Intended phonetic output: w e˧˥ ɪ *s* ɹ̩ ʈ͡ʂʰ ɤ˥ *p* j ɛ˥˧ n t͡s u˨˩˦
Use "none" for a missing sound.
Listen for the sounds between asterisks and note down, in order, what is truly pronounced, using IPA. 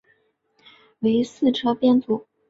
s, p

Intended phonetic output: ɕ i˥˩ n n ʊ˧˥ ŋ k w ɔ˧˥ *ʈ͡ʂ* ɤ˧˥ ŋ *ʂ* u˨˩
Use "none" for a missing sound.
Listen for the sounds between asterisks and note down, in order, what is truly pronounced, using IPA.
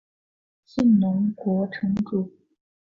ʈ͡ʂʰ, ʈ͡ʂ

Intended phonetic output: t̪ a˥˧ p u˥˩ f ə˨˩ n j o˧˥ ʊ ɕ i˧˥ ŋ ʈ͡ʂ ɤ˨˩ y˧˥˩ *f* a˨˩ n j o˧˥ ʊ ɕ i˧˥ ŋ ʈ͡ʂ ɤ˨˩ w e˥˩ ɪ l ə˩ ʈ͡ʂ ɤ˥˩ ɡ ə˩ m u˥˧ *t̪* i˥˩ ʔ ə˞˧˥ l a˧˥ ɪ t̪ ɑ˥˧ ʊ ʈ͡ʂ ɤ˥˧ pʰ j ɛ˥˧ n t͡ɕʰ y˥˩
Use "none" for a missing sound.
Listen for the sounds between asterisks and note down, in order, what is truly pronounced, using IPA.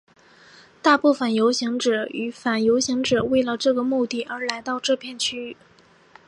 f, t̪

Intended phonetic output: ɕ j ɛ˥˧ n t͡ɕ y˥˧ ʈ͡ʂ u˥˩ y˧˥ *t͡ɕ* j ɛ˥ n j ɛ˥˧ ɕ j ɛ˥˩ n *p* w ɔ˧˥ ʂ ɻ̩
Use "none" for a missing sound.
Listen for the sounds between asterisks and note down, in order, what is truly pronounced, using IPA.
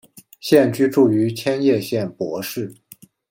t͡ɕʰ, p

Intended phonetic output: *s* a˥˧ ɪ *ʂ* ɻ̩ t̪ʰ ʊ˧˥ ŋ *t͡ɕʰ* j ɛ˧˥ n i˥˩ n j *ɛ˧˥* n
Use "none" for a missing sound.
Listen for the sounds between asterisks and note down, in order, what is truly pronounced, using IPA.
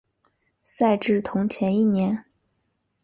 s, ʈ͡ʂ, t͡ɕʰ, ɛ˧˥

